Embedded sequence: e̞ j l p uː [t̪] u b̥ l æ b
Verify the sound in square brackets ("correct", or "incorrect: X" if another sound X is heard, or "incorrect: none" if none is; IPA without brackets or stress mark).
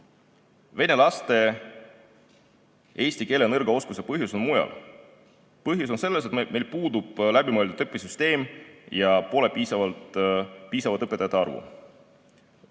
incorrect: d̪